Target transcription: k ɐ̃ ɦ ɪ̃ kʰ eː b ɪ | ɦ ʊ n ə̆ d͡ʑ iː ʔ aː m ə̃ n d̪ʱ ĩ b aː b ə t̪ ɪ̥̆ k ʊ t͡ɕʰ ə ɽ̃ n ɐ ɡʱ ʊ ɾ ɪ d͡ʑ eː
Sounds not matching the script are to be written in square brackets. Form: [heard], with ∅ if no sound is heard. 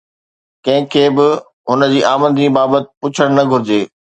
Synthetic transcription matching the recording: k ɐ̃ ɦ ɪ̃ kʰ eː b ɪ | ɦ ʊ n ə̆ d͡ʑ iː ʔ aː m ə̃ n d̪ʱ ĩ b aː b ə t̪ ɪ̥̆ [p] ʊ t͡ɕʰ ə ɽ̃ n ɐ ɡʱ ʊ ɾ ɪ d͡ʑ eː